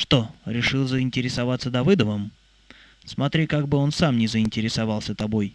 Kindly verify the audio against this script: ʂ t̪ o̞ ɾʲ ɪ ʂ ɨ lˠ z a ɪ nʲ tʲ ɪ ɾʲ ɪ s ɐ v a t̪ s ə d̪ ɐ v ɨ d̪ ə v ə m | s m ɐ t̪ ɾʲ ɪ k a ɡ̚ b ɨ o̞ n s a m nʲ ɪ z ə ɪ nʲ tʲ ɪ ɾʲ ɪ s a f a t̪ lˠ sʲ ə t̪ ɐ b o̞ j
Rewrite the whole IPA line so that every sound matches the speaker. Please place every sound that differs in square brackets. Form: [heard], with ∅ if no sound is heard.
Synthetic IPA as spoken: ʂ t̪ o̞ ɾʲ ɪ ʂ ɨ lˠ z [ə] ɪ nʲ tʲ ɪ ɾʲ ɪ s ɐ v a t̪ s ə d̪ ɐ v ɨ d̪ ə v ə m | s m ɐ t̪ ɾʲ [i] k a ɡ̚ b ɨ o̞ n s a m nʲ ɪ z ə ɪ nʲ tʲ ɪ ɾʲ ɪ s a [v] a [∅] lˠ sʲ ə t̪ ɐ b o̞ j